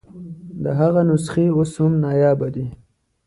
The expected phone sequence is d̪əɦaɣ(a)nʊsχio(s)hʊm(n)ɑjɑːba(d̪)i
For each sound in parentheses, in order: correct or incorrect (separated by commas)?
correct, correct, correct, correct